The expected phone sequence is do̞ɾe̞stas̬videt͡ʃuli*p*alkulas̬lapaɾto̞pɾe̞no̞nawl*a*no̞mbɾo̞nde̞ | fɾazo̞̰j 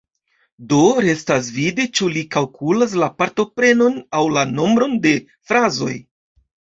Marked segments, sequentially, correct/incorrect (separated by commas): incorrect, correct